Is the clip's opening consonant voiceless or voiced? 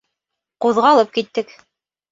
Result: voiceless